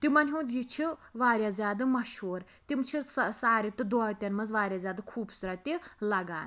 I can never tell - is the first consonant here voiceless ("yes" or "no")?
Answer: yes